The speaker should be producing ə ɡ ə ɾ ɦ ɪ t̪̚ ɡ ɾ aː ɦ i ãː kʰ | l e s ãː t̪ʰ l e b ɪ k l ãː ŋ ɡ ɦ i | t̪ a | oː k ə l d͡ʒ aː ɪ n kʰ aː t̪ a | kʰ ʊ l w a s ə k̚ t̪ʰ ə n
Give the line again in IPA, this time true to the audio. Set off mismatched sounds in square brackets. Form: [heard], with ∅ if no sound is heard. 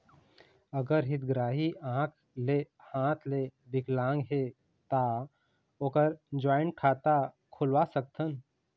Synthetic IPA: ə ɡ ə ɾ ɦ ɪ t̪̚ ɡ ɾ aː ɦ i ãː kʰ | l e [h] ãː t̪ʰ l e b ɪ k l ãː ŋ ɡ ɦ [e] | t̪ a | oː k ə [ɾ] d͡ʒ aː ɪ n kʰ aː t̪ a | kʰ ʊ l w a s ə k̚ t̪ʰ ə n